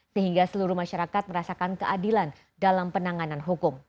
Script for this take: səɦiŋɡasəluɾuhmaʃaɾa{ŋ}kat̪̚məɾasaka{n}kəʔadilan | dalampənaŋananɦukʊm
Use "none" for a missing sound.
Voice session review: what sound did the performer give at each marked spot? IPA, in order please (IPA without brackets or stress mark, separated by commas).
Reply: none, n